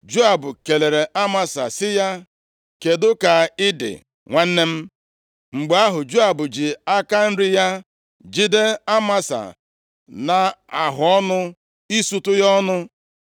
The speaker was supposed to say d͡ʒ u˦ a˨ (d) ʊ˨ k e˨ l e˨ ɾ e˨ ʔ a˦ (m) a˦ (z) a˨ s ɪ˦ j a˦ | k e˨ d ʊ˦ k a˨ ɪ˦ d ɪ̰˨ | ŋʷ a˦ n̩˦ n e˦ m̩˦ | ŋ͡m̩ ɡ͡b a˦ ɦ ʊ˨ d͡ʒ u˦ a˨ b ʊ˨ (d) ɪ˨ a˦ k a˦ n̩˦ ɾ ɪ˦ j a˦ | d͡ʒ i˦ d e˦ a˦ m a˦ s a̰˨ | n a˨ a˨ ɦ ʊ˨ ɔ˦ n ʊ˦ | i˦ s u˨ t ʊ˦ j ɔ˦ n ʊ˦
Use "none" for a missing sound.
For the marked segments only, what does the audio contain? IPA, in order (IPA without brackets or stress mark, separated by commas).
b, m, s, d͡ʒ